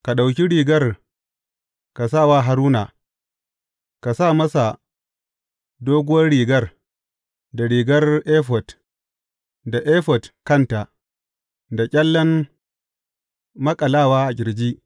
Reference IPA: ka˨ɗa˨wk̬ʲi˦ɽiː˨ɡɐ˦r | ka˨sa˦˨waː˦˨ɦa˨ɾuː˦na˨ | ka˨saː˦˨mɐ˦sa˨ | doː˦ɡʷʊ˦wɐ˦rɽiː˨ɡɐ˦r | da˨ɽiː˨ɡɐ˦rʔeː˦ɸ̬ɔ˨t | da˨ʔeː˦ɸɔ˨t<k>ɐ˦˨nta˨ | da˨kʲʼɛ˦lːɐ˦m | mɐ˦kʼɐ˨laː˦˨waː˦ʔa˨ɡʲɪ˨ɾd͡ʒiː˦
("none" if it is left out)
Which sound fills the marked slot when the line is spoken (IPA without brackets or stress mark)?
k